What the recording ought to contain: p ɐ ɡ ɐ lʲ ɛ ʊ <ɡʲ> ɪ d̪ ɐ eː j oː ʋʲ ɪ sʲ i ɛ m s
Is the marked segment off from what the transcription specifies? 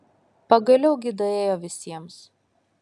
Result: no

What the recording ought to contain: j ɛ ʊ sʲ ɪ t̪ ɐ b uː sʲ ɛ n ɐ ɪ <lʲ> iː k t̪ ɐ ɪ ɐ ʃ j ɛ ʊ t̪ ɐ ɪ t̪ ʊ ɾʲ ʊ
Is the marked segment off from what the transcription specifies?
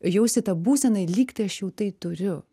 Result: no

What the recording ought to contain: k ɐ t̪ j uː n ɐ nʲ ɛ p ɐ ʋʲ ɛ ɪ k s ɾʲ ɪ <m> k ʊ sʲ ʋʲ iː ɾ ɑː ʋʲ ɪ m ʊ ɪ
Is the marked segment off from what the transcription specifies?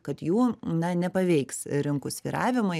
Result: yes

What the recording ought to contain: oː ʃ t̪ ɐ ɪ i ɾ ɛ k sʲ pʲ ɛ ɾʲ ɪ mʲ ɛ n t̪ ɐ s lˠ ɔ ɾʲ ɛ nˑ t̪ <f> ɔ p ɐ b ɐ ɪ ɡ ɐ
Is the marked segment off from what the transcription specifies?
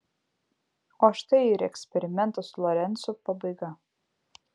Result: yes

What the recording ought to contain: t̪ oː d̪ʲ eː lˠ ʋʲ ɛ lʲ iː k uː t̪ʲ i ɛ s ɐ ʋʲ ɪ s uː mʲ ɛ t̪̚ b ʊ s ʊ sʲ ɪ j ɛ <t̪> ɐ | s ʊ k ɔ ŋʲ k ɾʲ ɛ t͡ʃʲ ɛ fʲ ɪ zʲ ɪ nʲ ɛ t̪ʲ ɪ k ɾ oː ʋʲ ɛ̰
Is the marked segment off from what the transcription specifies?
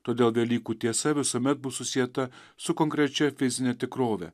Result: no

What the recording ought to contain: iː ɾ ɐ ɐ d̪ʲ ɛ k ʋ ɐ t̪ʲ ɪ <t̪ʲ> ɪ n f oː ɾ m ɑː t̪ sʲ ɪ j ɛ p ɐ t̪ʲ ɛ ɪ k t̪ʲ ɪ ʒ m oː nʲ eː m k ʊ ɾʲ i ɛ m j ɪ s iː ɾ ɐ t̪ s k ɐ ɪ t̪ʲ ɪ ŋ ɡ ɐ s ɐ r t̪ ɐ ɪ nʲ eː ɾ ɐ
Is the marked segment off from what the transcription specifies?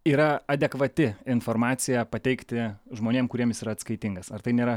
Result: yes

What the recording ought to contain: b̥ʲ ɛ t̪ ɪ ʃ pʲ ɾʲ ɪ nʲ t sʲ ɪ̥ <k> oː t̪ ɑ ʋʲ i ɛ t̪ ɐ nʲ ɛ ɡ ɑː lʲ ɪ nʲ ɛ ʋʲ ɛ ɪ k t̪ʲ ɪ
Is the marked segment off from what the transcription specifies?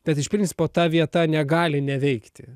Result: yes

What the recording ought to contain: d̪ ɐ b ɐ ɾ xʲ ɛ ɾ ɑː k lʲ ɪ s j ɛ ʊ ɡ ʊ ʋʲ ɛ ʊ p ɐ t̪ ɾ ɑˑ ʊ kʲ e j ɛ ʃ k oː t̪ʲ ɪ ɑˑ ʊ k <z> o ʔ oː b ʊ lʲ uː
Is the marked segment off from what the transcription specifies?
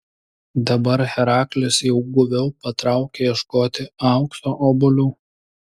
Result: yes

